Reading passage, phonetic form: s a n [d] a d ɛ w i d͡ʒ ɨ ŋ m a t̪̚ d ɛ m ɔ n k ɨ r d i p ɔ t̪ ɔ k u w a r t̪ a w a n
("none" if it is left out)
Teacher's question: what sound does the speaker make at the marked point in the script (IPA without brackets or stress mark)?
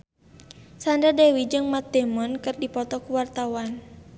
d